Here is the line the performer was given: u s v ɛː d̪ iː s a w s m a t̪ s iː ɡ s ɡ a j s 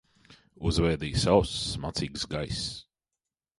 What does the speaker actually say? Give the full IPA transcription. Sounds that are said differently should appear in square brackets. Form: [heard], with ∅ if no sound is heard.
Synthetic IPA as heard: u [z] v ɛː d̪ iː s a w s m a t̪ s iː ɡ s ɡ a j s

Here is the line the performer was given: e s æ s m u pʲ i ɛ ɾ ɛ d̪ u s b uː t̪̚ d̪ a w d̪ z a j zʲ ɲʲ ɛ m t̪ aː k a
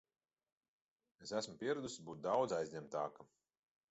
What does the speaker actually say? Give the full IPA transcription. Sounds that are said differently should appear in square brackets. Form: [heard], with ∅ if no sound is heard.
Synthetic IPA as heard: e s æ s m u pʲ i ɛ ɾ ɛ d̪ u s b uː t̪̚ d̪ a w d̪ z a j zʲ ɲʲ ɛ m t̪ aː k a

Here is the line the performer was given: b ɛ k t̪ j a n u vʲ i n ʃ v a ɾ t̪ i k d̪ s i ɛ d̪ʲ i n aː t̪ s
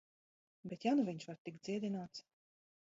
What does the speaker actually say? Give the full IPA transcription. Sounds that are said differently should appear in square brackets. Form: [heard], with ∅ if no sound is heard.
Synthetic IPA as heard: b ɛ [∅] t̪ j a n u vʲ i [ɲ] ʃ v a ɾ t̪ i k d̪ [z] i ɛ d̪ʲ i n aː t̪ s

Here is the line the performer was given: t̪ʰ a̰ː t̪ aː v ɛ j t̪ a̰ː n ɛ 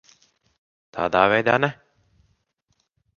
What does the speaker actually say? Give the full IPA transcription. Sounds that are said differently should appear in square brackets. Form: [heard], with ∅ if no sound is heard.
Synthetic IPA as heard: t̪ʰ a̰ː [d̪] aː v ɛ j [d̪] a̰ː n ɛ

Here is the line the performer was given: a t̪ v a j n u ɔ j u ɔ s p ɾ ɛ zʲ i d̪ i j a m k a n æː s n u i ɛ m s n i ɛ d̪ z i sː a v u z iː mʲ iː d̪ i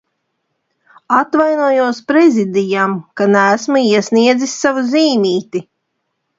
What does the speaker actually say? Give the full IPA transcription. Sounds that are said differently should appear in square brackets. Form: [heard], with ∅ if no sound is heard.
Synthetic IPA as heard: a t̪ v a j n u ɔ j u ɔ s p ɾ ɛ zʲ i d̪ i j a m k a n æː s [m] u i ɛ [∅] s n i ɛ d̪ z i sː a v u z iː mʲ iː [t̪] i

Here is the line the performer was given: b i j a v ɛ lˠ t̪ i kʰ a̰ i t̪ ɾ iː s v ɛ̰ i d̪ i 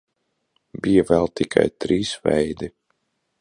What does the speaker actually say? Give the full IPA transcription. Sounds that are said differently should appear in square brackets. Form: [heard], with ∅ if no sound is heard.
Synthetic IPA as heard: b i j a v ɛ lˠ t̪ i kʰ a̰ [j] t̪ ɾ iː s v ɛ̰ [j] d̪ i

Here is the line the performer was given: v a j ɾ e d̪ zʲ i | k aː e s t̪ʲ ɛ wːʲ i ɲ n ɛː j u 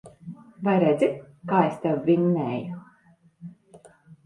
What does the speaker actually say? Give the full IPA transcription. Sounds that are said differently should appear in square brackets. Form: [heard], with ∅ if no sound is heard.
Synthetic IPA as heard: v a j ɾ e d̪ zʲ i | k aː e s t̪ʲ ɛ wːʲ i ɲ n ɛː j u

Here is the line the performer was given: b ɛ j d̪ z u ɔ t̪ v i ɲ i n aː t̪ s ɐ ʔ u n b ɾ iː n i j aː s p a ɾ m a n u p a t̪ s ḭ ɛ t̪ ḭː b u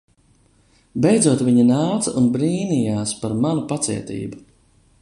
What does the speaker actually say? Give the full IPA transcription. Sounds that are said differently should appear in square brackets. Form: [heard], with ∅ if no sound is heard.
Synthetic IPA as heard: b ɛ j d̪ z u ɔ t̪ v i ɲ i n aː t̪ s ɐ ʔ u n b ɾ iː n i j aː s p a ɾ m a n u p a t̪ s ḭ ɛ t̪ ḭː b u

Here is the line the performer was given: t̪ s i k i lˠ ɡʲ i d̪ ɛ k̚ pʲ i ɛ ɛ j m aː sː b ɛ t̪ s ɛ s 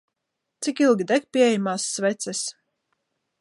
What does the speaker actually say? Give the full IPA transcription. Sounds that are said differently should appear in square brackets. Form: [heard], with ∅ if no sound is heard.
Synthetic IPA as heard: t̪ s i k i lˠ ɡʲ i d̪ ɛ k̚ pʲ i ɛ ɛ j m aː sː [v] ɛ t̪ s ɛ s

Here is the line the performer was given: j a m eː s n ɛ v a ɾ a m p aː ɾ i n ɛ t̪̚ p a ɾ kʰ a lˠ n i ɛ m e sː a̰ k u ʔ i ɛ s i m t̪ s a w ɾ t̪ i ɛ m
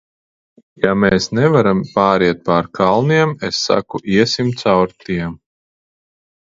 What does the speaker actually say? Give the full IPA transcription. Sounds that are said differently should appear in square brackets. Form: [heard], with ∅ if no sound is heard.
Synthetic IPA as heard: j a m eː s n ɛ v a ɾ a m p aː ɾ i [∅] ɛ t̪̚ p a ɾ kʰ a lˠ n i ɛ m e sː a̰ k u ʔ i ɛ s i m t̪ s a w ɾ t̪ i ɛ m

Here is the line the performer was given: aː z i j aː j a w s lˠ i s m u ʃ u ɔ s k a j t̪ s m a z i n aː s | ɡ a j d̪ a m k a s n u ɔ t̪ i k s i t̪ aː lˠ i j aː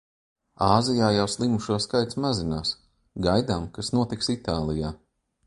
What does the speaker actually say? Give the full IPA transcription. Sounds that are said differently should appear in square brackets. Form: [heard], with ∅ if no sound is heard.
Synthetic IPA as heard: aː z i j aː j a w s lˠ i [∅] m u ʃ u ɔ s k a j t̪ s m a z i n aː s | ɡ a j d̪ a m k a s n u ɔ t̪ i k s i t̪ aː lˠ i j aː

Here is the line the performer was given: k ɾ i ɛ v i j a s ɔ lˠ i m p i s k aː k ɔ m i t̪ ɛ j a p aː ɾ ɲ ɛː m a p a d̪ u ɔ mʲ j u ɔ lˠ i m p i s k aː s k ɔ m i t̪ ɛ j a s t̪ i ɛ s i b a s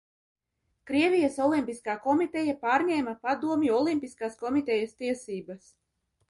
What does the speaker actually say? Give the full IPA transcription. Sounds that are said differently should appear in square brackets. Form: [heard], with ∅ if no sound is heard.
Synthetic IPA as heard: k ɾ i ɛ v i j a s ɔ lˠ i m p i s k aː k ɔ m i t̪ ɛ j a p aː ɾ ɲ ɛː m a p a d̪ u ɔ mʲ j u ɔ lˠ i m p i s k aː s k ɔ m i t̪ ɛ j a s t̪ i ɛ s [iː] b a s

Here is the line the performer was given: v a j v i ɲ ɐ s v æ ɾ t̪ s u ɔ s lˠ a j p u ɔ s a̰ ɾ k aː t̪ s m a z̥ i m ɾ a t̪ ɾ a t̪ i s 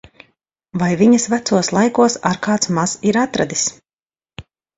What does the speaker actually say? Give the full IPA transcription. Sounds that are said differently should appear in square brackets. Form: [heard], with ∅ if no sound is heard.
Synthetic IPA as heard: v a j v i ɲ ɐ s v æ [∅] t̪ s u ɔ s lˠ a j [k] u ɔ s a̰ ɾ k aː t̪ s m a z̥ i [∅] ɾ a t̪ ɾ a [d̪] i s

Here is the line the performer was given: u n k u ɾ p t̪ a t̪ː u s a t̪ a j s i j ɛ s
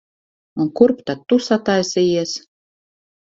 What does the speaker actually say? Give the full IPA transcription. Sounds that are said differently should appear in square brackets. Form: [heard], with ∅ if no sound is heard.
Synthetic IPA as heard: u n k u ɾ p t̪ a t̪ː u s a t̪ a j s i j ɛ s

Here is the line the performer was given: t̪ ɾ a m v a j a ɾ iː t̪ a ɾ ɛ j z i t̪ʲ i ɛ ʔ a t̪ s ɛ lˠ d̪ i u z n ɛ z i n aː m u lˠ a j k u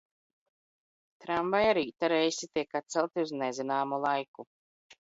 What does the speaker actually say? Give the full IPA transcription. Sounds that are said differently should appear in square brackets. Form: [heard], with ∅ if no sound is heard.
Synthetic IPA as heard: t̪ ɾ a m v a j a ɾ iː t̪ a ɾ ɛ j [s] i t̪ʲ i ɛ [k] a t̪ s ɛ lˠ [t̪] i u z n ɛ z i n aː m u lˠ a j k u

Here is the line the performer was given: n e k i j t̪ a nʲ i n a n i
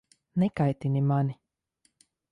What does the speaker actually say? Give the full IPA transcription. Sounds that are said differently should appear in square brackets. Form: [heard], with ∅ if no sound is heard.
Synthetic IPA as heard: n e k [a] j t̪ [i] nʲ i [m] a n i

